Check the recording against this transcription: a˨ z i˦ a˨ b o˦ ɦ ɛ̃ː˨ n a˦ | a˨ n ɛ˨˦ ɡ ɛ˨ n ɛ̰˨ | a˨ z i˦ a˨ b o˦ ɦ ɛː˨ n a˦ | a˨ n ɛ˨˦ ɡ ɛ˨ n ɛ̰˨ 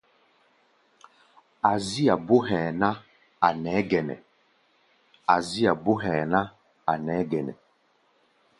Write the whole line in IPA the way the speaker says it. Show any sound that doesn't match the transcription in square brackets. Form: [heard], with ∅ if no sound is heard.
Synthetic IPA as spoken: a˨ z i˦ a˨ b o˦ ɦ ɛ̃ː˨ n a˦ | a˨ n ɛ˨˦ ɡ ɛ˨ n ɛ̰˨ | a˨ z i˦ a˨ b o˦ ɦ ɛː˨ n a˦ | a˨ n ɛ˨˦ ɡ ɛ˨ n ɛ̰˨